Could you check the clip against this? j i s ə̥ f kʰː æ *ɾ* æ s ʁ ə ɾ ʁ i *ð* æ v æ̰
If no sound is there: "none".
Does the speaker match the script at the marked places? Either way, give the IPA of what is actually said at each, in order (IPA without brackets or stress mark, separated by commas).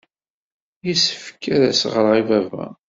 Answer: ɾ, v